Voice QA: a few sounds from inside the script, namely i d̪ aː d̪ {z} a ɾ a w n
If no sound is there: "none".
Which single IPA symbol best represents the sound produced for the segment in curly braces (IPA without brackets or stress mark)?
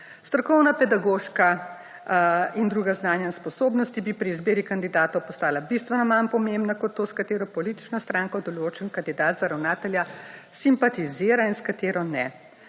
z